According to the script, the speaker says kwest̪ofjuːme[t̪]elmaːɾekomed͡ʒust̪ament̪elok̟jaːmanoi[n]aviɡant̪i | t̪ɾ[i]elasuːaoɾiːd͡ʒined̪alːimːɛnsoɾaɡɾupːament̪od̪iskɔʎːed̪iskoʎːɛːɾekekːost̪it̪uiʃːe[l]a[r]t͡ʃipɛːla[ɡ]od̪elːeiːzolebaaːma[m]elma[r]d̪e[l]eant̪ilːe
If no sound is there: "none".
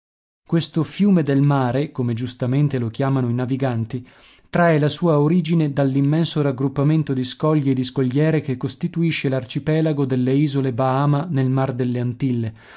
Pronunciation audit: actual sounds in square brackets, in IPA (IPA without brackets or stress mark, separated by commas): d̪, n, a, l, r, ɡ, n, r, lː